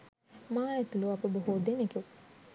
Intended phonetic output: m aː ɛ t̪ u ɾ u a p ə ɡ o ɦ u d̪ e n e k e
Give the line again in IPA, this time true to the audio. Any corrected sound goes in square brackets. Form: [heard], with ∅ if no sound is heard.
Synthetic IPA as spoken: m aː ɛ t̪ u [l] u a p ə [b] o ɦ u d̪ e n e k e